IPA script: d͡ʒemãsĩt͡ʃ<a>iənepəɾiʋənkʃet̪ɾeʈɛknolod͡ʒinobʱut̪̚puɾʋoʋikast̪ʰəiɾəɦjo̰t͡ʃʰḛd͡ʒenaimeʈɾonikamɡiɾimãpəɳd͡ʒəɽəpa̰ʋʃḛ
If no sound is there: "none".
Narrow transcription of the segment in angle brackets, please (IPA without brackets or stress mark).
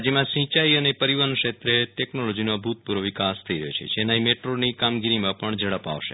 a